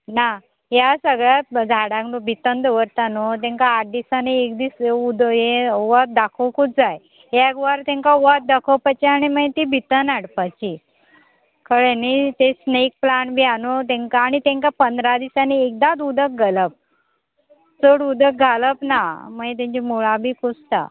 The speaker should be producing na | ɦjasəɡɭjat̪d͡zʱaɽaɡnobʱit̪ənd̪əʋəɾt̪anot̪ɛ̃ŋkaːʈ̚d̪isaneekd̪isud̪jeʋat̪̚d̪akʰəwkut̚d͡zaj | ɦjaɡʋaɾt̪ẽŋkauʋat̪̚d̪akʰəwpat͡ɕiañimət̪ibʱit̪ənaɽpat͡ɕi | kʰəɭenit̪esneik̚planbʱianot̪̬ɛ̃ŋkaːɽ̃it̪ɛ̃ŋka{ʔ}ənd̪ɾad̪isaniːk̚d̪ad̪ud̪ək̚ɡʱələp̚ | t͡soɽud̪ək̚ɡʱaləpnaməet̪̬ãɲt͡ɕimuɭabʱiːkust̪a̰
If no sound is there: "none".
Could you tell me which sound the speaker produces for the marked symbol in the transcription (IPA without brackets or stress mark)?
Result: p